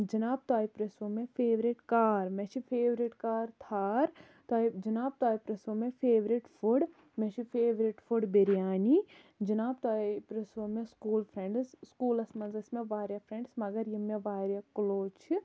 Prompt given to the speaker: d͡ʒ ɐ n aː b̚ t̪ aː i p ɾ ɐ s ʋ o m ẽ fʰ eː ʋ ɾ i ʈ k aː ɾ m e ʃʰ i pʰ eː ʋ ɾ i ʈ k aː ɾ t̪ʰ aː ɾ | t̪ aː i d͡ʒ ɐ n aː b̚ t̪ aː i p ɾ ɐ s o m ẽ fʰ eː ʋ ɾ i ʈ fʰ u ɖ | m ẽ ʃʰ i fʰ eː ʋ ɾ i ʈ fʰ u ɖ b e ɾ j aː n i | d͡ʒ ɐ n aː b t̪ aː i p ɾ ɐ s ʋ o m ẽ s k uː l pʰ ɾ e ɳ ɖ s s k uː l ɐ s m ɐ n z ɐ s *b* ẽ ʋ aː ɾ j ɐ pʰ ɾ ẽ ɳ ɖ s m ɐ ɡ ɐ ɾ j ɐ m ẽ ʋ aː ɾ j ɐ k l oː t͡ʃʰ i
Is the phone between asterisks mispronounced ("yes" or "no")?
yes